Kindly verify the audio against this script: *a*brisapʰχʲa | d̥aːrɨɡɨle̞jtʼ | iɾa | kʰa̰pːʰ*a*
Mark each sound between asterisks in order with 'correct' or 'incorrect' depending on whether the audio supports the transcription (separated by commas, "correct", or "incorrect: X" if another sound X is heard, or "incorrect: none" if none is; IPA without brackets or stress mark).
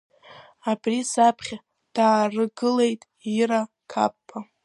correct, correct